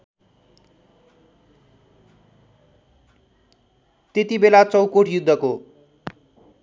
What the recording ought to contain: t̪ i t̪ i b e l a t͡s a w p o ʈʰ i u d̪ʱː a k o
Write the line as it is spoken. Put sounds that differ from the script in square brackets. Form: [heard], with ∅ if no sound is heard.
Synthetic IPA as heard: t̪ [e] t̪ i b e l a t͡s [ʌ] w [k] o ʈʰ [j] u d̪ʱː [ʌ] k o

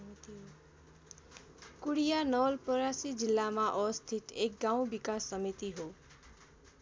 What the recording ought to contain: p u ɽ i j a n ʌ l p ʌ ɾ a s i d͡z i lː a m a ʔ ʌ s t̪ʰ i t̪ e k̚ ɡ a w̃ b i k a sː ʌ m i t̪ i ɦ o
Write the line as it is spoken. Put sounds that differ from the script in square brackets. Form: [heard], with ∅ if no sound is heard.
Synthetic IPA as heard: [k] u ɽ i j a n ʌ l p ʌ ɾ a s i d͡z i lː a m a ʔ ʌ s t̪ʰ i t̪ e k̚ ɡ a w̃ b i k a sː ʌ m i t̪ i ɦ o

